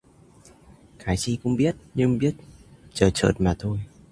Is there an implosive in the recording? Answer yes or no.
yes